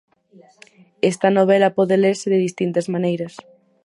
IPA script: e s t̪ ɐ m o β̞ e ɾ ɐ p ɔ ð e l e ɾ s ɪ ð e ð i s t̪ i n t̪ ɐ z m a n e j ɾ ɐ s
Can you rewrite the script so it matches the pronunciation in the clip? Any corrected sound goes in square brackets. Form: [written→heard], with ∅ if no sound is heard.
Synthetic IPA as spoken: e s t̪ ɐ [m→n] o β̞ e [ɾ→l] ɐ p ɔ ð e l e ɾ s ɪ ð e ð i s t̪ i n t̪ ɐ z m a n e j ɾ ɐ s